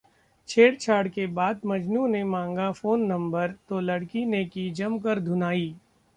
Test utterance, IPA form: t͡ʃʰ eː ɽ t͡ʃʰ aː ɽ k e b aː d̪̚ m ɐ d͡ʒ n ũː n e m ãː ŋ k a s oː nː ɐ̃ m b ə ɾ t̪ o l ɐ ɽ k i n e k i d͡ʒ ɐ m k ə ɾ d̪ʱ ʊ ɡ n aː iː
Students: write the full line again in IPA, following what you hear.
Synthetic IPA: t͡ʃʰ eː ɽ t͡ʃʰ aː ɽ k e b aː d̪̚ m ɐ d͡ʒ n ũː n e m ãː ŋ ɡ a f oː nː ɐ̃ m b ə ɾ t̪ o l ɐ ɽ k i n e k i d͡ʒ ɐ m k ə ɾ d̪ʱ ʊ n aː iː